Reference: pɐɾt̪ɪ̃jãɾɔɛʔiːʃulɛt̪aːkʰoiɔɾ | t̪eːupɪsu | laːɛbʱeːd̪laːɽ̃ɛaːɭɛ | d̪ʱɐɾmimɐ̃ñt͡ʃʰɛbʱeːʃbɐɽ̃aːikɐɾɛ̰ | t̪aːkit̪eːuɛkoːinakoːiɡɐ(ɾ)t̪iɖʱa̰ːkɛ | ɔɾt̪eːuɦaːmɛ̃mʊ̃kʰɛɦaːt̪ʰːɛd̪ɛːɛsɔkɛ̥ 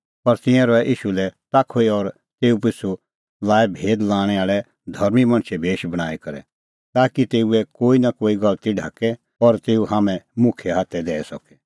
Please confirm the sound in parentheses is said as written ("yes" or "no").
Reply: no